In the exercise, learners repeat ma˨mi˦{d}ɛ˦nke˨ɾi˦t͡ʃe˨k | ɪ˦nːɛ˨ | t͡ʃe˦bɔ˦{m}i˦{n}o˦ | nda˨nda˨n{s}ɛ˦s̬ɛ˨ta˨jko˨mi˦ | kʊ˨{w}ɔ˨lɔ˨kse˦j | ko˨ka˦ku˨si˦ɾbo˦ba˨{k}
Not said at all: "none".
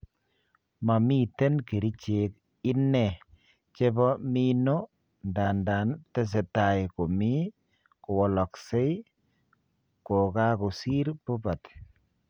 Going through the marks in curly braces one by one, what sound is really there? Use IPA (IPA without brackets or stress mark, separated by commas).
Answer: t, m, n, t, w, t